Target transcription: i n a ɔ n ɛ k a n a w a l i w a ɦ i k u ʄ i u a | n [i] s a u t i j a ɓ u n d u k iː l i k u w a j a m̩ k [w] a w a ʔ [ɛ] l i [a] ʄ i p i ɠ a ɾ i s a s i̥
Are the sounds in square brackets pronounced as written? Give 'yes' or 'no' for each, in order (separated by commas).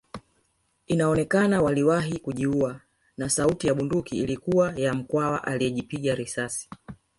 no, yes, no, no